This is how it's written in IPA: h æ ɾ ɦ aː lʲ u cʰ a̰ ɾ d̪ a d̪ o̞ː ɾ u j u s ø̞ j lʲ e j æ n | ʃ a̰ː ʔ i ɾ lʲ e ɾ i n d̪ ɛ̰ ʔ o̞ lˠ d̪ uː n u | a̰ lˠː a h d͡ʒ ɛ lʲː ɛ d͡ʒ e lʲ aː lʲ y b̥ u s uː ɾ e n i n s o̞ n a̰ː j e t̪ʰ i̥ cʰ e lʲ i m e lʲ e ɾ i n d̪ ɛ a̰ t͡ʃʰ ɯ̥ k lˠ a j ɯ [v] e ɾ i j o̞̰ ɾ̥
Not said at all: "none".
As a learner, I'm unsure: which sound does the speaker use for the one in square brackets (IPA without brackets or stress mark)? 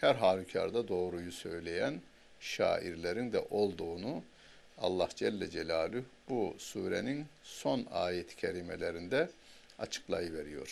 v